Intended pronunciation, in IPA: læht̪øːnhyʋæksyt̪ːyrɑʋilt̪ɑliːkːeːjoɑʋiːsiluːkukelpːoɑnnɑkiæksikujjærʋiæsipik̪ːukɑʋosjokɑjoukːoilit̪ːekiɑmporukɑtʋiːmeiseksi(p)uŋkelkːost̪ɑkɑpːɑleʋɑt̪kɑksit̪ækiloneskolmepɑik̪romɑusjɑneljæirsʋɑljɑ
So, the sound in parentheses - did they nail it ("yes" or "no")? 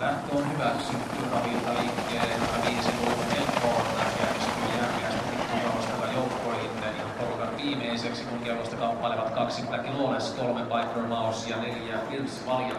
no